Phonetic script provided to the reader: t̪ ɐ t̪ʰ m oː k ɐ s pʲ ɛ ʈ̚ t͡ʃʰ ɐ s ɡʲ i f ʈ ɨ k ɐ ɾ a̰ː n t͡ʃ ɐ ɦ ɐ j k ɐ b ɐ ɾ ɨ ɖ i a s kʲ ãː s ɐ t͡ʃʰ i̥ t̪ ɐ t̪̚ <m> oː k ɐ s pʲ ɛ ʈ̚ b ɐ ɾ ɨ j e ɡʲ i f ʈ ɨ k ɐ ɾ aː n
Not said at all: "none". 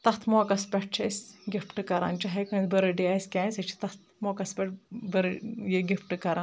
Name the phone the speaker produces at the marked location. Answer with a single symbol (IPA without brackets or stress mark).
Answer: m